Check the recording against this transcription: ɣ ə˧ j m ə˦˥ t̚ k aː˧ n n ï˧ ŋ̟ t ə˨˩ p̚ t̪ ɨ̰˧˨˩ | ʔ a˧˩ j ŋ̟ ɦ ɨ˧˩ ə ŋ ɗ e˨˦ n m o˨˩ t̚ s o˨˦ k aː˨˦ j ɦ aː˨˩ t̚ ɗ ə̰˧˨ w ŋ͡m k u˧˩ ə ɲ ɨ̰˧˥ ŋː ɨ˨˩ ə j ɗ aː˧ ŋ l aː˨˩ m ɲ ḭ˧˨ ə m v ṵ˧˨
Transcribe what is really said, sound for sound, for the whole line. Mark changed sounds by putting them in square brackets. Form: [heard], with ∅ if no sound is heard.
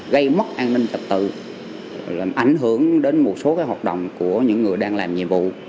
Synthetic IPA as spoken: ɣ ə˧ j m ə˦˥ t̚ [ʔ] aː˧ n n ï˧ ŋ̟ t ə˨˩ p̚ t̪ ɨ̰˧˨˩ | ʔ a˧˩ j ŋ̟ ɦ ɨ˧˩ ə ŋ ɗ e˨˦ n m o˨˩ t̚ s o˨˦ k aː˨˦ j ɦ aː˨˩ t̚ ɗ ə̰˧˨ w ŋ͡m k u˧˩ ə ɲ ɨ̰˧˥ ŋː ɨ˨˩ ə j ɗ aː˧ ŋ l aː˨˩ m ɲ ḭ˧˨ ə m v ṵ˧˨